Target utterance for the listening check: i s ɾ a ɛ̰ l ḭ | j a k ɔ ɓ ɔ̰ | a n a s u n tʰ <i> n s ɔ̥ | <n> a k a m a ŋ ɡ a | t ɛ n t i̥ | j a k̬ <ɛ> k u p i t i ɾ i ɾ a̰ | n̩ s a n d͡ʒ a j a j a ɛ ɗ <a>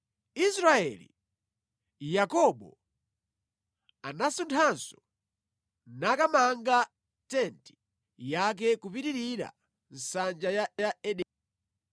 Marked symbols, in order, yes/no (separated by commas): no, yes, yes, no